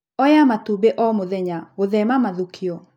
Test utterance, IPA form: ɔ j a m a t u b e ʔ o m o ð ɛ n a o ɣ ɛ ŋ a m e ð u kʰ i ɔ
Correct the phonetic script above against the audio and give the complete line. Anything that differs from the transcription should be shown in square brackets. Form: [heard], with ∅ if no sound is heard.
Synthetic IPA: ɔ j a m a t u b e ʔ [ɔ] m o ð ɛ [ɲ] a o [ð] ɛ [m] a m [a] ð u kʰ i ɔ